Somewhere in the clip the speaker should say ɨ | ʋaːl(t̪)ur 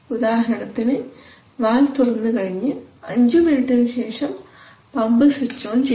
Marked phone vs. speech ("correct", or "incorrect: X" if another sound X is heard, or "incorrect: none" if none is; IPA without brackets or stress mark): correct